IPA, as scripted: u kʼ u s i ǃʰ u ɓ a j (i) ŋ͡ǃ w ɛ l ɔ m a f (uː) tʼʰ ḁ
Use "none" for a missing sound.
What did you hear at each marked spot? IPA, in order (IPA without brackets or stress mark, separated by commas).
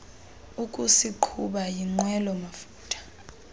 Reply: i, uː